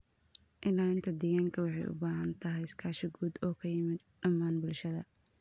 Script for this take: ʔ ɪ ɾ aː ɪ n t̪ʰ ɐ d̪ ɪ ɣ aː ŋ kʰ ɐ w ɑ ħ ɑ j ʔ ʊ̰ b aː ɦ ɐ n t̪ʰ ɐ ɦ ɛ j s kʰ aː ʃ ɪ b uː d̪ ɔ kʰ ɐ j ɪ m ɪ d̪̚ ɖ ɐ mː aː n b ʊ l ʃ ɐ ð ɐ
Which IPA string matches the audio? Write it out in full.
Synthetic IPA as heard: ʔ ɪ l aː ɪ n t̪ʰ ɐ d̪ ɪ ɣ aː ŋ kʰ ɐ w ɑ ħ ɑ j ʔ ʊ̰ b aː ɦ ɐ n t̪ʰ ɐ ɦ ɛ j s kʰ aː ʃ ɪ ɡ uː d̪ ɔː kʰ ɐ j ɪ m ɪ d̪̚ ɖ ɐ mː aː n b ʊ l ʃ ɐ ð ɐ